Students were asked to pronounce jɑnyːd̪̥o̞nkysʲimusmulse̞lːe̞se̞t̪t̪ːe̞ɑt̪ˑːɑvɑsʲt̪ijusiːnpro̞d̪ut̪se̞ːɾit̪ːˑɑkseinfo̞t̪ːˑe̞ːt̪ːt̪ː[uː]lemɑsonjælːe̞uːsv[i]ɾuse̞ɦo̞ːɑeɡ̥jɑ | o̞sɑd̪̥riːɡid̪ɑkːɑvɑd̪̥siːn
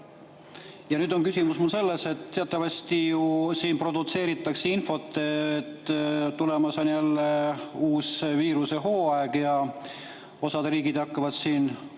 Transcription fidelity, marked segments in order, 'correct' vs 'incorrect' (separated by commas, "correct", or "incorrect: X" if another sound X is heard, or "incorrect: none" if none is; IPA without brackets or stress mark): incorrect: u, incorrect: iː